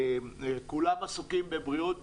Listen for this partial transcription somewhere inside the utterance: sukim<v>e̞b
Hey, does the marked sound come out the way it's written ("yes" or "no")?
no